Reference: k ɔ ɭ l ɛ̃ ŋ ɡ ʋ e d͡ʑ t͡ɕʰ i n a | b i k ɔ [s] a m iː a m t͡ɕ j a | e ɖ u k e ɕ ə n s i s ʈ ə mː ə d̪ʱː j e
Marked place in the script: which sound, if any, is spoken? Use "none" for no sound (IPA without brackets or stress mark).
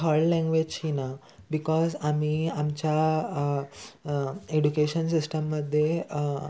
z